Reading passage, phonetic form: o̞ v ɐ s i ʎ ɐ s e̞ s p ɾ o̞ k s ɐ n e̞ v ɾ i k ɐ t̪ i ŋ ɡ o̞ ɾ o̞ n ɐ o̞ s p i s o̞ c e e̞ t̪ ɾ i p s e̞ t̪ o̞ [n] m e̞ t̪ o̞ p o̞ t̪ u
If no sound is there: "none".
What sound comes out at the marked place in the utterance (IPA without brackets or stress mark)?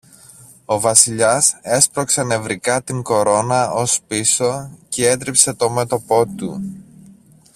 none